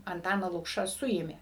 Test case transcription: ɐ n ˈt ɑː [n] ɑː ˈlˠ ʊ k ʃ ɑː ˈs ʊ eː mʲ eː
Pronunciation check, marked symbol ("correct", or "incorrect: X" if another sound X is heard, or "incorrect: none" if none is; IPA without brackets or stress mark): correct